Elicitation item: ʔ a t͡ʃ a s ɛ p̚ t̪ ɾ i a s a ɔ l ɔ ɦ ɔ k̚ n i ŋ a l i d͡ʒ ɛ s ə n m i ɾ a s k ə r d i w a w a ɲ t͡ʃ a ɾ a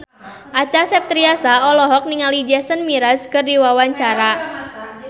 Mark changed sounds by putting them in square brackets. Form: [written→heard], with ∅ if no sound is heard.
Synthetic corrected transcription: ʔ a t͡ʃ a s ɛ p̚ t̪ ɾ i a s a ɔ l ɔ ɦ ɔ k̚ n i ŋ a l i d͡ʒ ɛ s ə n m i ɾ a s k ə r d i w a w a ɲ t͡ʃ a ɾ a